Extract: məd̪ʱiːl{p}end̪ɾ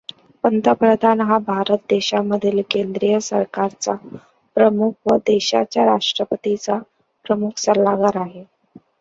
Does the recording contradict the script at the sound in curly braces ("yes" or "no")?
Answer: yes